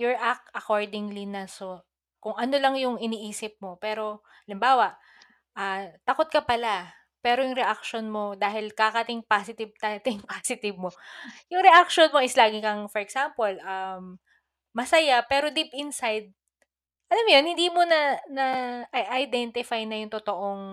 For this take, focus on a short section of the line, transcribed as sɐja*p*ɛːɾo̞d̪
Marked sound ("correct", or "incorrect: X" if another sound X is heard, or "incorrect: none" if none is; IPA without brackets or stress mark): correct